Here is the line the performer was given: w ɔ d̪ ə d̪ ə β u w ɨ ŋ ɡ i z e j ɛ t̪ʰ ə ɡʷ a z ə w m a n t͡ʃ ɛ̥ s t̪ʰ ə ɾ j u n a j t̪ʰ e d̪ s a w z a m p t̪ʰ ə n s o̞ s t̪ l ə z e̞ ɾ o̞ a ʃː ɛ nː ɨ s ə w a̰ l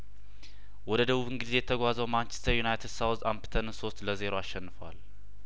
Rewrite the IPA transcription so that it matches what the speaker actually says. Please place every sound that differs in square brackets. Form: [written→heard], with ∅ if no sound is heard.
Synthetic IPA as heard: w ɔ d̪ ə d̪ ə β u [w→β] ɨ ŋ ɡ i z e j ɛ t̪ʰ ə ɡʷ a z ə w m a n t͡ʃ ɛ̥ s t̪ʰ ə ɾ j u n a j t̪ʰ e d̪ s a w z a m p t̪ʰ ə n s o̞ s t̪ l ə z e̞ ɾ o̞ a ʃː ɛ nː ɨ [s→f] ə w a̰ l